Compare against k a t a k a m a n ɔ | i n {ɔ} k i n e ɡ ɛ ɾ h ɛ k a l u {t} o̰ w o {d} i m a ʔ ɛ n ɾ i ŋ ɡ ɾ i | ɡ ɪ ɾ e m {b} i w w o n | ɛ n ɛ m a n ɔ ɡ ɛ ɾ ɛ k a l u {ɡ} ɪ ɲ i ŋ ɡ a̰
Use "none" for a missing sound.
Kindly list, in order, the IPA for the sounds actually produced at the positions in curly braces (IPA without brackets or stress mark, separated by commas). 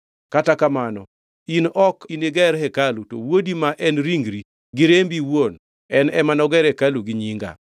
ɔ, t, d, b, ɡ